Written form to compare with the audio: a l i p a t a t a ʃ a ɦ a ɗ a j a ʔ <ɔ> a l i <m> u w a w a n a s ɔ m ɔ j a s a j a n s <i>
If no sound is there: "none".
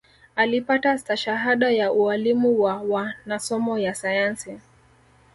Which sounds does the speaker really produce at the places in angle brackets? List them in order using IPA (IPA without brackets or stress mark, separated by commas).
u, m, i